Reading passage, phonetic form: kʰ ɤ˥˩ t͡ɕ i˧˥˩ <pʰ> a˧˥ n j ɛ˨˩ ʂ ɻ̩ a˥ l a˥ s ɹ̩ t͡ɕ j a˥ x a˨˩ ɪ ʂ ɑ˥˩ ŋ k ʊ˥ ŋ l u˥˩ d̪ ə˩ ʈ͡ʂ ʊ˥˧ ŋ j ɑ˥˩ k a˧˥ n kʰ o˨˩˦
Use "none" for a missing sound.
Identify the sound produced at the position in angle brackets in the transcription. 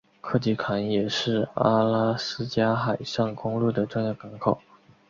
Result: kʰ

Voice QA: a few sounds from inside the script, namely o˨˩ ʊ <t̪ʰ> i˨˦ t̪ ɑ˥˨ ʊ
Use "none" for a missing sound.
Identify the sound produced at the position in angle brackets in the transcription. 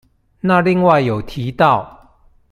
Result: t̪ʰ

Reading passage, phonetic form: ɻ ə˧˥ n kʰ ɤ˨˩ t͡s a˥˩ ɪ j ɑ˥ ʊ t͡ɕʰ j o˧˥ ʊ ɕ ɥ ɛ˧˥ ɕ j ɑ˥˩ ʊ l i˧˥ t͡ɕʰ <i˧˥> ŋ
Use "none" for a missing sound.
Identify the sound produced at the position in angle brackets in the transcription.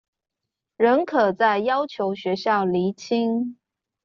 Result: i˥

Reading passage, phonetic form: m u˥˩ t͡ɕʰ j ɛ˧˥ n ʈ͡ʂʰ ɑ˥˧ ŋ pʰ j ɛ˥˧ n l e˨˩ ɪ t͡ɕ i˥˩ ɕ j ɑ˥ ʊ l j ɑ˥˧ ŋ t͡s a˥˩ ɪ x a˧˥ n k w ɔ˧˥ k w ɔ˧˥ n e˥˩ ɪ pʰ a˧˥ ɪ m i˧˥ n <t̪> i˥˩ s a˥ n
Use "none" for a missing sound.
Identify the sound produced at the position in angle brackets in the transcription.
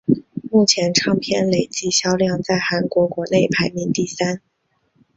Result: t̪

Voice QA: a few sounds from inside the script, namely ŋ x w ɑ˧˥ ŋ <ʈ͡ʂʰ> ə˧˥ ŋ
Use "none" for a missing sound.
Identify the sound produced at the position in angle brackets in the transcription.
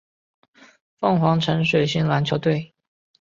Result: ʈ͡ʂʰ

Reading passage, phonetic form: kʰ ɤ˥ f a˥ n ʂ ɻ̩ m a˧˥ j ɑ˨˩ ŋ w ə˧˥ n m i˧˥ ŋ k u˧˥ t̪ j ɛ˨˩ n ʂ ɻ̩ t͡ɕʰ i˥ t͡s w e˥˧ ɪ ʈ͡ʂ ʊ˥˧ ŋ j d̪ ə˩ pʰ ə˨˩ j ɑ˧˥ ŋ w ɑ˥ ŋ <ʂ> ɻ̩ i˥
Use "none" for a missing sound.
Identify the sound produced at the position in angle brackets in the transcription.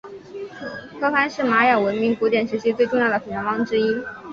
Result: ʈ͡ʂ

